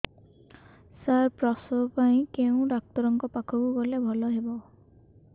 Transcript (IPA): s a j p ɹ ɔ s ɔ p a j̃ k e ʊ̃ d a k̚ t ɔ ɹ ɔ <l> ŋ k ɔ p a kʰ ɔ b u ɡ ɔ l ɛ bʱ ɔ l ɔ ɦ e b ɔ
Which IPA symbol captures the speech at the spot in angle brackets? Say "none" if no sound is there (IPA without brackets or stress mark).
none